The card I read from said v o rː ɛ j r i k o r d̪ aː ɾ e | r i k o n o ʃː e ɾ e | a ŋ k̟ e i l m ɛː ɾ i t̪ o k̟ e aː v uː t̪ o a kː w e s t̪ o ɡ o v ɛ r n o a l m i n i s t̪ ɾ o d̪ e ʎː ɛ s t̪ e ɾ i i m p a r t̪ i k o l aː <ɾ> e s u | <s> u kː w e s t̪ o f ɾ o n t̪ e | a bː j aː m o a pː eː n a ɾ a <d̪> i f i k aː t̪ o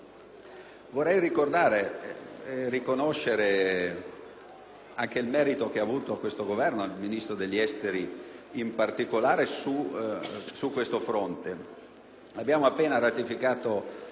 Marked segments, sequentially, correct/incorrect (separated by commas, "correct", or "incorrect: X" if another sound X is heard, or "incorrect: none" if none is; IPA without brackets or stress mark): correct, correct, incorrect: t̪